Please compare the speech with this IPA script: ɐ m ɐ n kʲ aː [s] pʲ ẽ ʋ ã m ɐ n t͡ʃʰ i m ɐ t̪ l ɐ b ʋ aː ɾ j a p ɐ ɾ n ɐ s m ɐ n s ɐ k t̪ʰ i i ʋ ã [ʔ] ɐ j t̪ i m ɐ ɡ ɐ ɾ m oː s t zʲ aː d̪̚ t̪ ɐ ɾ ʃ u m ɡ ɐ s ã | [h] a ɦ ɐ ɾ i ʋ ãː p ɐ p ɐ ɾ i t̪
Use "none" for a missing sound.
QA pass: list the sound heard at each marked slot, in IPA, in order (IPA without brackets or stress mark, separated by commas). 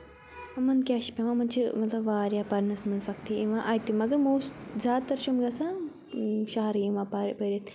ʃ, ʔ, ʃ